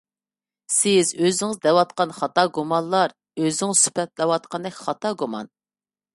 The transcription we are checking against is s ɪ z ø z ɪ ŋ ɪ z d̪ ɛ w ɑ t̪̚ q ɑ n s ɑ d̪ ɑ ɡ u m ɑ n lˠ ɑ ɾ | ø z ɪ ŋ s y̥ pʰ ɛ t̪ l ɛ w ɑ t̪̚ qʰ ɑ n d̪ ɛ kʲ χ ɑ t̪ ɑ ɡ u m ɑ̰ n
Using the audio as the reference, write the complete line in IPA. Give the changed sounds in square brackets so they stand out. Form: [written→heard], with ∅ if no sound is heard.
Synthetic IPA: s ɪ z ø z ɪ ŋ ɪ z d̪ ɛ w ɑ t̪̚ q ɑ n [s→χ] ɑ [d̪→t̪] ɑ ɡ u m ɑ n lˠ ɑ ɾ | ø z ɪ ŋ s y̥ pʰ ɛ t̪ l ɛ w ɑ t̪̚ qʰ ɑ n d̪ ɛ kʲ χ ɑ t̪ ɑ ɡ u m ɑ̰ n